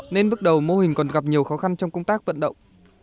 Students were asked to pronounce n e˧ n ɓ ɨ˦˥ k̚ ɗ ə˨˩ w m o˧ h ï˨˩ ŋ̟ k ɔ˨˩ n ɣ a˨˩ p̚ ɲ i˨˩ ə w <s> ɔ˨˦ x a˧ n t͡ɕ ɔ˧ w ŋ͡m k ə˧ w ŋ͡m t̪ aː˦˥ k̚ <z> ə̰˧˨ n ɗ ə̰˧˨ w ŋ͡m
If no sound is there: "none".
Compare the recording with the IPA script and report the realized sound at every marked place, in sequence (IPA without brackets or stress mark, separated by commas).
x, v